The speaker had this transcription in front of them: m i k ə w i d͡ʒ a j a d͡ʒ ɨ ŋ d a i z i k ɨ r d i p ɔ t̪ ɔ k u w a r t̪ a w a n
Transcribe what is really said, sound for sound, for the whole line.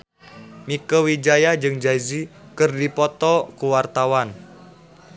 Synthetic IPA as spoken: m i k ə w i d͡ʒ a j a d͡ʒ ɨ ŋ d͡ʒ a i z i k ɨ r d i p ɔ t̪ ɔ k u w a r t̪ a w a n